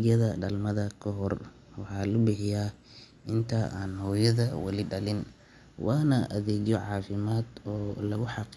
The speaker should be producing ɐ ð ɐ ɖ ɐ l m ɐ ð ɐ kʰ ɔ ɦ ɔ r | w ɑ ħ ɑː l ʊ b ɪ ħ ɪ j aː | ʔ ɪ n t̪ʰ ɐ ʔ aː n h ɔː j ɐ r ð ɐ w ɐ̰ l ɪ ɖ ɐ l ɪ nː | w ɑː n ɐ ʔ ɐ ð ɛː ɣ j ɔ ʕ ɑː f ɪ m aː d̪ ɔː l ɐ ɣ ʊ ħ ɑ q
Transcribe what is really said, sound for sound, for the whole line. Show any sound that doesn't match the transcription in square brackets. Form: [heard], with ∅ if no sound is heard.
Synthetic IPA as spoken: ɐ ð ɐ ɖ ɐ l m ɐ ð ɐ kʰ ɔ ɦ ɔ r | w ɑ ħ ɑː l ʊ b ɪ ħ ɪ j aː | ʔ ɪ n t̪ʰ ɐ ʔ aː n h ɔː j ɐ [∅] ð ɐ w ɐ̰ l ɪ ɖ ɐ l ɪ [n] | w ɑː n ɐ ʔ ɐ ð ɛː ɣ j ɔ ʕ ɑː f ɪ m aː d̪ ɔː l ɐ ɣ ʊ ħ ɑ q